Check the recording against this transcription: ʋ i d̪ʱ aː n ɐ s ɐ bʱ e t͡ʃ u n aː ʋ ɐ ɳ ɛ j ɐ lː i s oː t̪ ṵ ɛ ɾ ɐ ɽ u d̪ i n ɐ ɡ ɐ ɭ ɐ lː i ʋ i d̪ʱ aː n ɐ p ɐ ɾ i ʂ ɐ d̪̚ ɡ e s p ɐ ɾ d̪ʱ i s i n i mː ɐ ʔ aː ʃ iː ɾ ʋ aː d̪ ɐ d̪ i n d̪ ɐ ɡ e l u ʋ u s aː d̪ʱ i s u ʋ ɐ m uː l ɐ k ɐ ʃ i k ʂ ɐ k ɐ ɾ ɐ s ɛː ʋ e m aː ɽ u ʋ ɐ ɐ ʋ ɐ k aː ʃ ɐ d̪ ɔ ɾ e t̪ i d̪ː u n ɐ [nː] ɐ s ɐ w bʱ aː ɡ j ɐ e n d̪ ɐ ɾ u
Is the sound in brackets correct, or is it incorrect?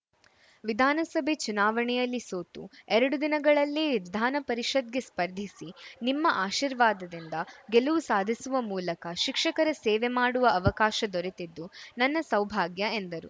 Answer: correct